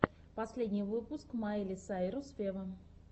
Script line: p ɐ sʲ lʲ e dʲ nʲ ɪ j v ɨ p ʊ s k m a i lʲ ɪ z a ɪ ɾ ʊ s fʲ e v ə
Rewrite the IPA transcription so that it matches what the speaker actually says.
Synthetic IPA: p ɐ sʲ lʲ e dʲ nʲ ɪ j v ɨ p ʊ s k m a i lʲ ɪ s a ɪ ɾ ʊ s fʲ e v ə